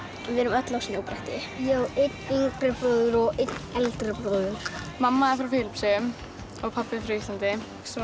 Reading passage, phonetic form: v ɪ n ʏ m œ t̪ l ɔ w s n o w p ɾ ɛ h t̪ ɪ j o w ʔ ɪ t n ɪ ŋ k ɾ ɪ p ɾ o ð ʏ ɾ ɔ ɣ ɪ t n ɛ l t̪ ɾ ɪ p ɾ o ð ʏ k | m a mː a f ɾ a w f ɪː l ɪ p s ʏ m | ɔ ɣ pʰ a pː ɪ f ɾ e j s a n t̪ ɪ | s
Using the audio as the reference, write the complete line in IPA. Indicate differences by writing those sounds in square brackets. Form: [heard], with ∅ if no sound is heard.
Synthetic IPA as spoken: v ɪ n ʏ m œ t̪ l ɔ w s n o w p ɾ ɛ h t̪ ɪ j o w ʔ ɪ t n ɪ ŋ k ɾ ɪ p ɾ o ð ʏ ɾ ɔ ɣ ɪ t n ɛ l t̪ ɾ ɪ p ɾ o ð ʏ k | m a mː a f ɾ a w f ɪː l ɪ p s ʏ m | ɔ ɣ pʰ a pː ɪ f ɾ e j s a n t̪ ɪ | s